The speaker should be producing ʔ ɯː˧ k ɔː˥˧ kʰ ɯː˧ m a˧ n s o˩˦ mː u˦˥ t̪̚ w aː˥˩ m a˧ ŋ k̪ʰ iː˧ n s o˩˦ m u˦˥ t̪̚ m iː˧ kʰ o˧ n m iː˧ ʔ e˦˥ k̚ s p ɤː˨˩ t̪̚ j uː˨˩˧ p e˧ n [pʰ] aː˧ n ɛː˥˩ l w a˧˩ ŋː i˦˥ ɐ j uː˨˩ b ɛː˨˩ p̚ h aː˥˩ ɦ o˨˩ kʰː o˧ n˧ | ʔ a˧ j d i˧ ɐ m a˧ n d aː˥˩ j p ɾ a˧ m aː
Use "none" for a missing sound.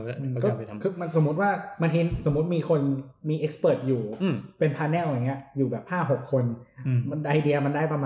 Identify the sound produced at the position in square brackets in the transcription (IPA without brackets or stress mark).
pʰ